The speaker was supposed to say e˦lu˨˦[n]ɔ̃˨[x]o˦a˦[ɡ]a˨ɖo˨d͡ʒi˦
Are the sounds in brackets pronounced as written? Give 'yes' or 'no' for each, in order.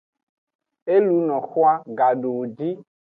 yes, yes, yes

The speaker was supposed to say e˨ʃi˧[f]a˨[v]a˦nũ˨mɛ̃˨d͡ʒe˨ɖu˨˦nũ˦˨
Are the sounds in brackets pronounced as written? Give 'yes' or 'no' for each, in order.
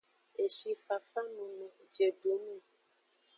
yes, no

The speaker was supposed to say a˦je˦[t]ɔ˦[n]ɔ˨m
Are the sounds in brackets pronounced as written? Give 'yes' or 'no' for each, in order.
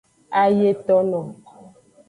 yes, yes

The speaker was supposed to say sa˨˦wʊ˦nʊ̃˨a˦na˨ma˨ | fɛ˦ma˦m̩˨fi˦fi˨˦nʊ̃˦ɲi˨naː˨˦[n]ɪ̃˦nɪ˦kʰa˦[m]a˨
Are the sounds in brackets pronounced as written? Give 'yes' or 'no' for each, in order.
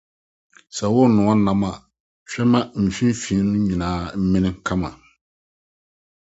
no, yes

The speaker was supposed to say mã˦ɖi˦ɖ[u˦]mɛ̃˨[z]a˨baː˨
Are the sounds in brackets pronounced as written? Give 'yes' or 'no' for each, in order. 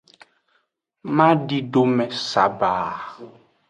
no, no

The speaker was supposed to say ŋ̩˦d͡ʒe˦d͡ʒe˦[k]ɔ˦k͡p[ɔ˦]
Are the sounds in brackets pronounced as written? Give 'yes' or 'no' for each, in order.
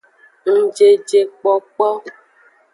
no, yes

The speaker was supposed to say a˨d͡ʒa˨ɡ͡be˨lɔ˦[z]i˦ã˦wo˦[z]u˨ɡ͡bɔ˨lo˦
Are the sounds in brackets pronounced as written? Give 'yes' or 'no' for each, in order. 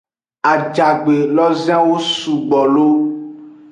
yes, no

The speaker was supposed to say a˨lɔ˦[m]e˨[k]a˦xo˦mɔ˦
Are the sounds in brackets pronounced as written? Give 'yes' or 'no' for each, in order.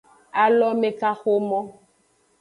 yes, yes

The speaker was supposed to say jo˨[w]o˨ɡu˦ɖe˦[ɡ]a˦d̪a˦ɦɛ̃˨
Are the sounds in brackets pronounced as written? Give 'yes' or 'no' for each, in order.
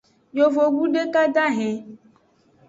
no, no

